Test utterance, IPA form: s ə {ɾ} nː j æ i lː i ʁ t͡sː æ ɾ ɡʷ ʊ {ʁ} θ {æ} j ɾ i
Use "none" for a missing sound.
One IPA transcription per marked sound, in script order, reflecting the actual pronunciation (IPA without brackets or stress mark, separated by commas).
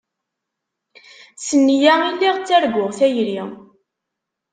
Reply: none, ʁ, æ